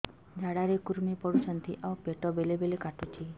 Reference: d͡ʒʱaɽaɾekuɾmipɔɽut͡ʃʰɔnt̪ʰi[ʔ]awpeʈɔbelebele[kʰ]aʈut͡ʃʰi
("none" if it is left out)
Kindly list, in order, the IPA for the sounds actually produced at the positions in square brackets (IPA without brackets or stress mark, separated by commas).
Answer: ʔ, k